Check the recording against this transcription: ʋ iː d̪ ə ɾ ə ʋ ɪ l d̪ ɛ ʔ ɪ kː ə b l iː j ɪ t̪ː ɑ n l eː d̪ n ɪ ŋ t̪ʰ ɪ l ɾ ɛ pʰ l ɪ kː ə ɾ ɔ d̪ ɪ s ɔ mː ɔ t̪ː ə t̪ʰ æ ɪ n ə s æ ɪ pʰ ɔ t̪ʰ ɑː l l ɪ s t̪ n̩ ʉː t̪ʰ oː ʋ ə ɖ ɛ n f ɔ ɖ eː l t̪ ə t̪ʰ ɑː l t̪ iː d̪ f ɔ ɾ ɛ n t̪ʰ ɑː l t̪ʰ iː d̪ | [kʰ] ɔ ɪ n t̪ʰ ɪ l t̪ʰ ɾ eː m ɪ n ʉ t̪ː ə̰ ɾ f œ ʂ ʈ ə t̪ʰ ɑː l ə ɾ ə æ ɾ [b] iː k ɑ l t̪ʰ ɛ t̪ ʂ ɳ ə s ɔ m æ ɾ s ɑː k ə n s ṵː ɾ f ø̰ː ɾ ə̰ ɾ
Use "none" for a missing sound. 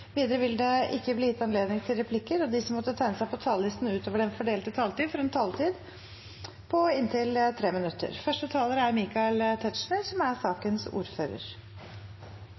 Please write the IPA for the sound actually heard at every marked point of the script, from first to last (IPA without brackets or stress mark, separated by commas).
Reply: pʰ, m